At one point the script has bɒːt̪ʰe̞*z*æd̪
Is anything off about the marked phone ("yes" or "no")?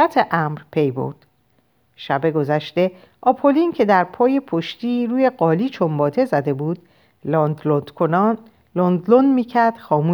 no